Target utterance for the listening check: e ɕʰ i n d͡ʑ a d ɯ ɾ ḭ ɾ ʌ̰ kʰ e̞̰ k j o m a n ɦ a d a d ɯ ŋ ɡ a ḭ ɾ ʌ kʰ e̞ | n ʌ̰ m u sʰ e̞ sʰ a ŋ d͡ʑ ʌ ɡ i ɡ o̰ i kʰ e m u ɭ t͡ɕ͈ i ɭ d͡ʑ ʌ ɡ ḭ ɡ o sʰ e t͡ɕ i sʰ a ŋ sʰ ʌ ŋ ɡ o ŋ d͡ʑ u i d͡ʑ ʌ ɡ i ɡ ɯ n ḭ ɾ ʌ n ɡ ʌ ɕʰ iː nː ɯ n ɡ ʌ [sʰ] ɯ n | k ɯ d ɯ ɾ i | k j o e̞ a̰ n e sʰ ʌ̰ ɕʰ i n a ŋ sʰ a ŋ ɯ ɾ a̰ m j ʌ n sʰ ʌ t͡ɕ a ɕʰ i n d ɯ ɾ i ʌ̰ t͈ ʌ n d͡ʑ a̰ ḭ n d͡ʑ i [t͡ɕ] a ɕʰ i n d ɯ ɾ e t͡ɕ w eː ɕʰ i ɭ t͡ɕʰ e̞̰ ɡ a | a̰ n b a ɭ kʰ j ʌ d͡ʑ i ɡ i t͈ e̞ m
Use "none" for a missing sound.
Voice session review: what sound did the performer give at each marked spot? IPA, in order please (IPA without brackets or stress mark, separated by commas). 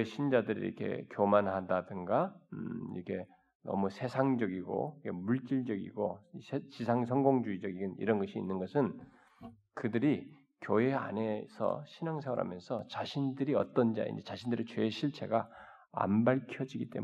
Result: sʰ, t͡ɕ